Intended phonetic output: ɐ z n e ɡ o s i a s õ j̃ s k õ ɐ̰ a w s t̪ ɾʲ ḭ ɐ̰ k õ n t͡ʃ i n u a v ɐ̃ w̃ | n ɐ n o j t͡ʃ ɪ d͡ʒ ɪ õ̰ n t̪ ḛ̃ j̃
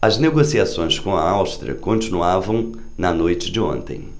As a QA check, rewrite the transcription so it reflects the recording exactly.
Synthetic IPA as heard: ɐ z n e ɡ o s i a s õ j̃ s k õ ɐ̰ a w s t̪ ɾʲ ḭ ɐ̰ k õ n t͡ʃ i n u a v ɐ̃ w̃ | n ɐ n o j t͡ʃ ɪ d͡ʒ ɪ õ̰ n t̪ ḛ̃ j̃